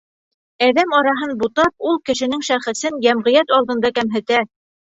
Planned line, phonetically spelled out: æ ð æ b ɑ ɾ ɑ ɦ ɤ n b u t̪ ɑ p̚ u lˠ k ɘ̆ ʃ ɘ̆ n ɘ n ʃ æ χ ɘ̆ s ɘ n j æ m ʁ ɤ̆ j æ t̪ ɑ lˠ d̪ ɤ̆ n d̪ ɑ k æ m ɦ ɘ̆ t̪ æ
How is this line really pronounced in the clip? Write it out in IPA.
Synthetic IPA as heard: æ ð æ m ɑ ɾ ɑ ɦ ɤ n b u t̪ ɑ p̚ u lˠ k ɘ̆ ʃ ɘ̆ n ɘ ŋ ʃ æ χ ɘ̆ s ɘ n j æ m ʁ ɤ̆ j æ t̪ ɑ lˠ d̪ ɤ̆ n d̪ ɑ k æ m ɦ ɘ̆ t̪ æ